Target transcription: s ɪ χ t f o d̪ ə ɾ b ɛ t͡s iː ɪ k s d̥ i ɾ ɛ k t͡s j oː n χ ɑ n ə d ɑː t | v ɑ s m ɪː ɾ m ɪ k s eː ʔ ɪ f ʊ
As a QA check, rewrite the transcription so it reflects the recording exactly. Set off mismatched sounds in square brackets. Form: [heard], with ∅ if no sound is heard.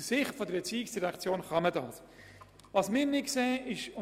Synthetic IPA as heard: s ɪ χ t f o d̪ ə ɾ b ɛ t͡s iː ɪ k s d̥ i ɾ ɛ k t͡s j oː n χ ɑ [m] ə d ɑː [s] | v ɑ s m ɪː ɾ [n] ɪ k s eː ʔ ɪ [ʃ] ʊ